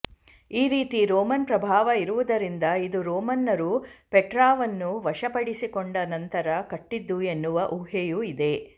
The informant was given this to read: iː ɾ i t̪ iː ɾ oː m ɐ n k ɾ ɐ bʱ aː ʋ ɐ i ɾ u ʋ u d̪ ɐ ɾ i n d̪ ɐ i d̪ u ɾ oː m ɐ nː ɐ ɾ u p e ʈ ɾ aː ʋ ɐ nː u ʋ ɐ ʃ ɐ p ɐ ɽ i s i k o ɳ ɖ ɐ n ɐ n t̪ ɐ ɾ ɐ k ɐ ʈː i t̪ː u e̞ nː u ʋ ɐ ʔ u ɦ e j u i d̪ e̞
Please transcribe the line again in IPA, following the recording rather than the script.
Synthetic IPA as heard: iː ɾ iː t̪ i ɾ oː m ɐ n p ɾ ɐ bʱ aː ʋ ɐ i ɾ u ʋ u d̪ ɐ ɾ i n d̪ ɐ i d̪ u ɾ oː m ɐ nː ɐ ɾ u p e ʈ ɾ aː ʋ ɐ nː u ʋ ɐ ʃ ɐ p ɐ ɽ i s i k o ɳ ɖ ɐ n ɐ n t̪ ɐ ɾ ɐ k ɐ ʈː i d̪ː u e̞ nː u ʋ ɐ ʔ u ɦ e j u i d̪ e̞